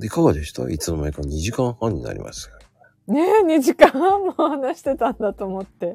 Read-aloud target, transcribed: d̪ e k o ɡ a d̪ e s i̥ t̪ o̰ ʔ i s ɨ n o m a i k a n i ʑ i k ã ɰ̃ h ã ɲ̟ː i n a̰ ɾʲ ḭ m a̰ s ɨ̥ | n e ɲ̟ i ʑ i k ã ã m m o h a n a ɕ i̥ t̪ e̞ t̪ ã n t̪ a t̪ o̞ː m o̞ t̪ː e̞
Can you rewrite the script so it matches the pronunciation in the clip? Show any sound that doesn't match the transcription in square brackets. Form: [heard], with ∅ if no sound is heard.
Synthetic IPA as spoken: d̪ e k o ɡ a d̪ e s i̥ t̪ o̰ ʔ i [t͡s] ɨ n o m a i k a [ɲ] i ʑ i k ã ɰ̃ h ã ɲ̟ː i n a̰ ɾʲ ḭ m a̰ s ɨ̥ | n e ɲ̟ i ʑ i k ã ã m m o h a n a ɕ i̥ t̪ e̞ t̪ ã n [d̪] a t̪ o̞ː m o̞ t̪ː e̞